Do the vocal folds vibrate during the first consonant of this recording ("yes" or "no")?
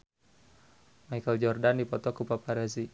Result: yes